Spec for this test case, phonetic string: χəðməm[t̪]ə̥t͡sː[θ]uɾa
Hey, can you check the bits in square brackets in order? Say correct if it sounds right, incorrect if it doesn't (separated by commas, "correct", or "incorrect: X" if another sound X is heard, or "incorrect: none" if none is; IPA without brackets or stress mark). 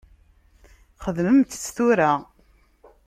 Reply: correct, correct